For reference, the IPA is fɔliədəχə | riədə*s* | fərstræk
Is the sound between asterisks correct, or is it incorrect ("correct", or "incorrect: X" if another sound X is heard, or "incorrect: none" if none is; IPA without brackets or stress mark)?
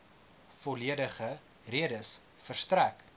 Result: correct